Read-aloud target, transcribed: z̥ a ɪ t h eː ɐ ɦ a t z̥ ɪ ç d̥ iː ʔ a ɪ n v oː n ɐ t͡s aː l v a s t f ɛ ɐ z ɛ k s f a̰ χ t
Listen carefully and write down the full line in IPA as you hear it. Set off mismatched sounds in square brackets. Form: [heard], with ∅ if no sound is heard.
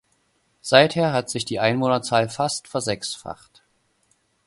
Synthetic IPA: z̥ a ɪ t h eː ɐ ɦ a t z̥ ɪ ç d̥ iː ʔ a ɪ n v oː n ɐ t͡s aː l [f] a s t f ɛ ɐ z ɛ k s f a̰ χ t